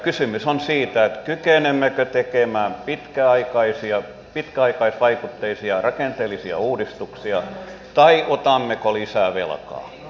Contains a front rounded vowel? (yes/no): yes